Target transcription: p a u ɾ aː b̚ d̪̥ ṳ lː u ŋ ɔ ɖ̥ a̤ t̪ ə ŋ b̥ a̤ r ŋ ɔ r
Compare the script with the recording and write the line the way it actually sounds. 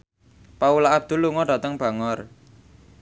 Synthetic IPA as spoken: p a u l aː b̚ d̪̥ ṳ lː u ŋ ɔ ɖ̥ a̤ t̪ ə ŋ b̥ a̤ ŋ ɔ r